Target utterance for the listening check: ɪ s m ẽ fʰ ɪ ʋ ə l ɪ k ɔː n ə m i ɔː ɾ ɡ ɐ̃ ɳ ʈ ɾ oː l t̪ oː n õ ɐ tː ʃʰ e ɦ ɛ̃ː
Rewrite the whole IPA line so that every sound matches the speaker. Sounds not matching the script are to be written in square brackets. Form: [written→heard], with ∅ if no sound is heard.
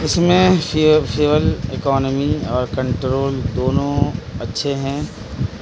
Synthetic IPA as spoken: ɪ s m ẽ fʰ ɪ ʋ ə l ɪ k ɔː n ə m i ɔː ɾ [ɡ→k] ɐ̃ ɳ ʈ ɾ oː l [t̪→d̪] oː n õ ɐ tː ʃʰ e ɦ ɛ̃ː